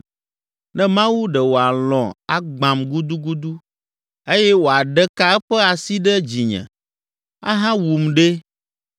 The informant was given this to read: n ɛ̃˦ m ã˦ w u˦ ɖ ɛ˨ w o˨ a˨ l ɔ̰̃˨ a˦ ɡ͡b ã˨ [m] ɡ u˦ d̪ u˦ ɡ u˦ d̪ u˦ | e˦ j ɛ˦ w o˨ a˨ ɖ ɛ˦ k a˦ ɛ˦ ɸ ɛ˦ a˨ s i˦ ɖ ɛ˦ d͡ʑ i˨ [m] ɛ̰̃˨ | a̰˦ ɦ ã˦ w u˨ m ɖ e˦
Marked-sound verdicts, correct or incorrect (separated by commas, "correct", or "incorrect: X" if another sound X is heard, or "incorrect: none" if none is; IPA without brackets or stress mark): correct, incorrect: ɲ